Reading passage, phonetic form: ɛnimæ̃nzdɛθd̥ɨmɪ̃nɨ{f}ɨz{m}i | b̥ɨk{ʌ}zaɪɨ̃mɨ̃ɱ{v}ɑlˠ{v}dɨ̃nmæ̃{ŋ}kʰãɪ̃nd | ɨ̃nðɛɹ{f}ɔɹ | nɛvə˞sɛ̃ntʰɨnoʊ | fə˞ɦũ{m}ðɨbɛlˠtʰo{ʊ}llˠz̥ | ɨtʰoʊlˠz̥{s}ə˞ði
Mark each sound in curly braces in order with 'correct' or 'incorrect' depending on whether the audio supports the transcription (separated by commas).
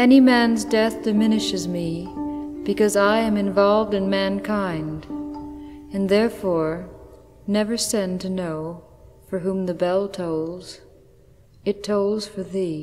incorrect, correct, correct, correct, correct, incorrect, correct, correct, correct, incorrect